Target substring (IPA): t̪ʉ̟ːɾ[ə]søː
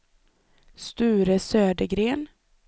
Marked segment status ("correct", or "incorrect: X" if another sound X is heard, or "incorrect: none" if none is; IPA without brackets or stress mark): correct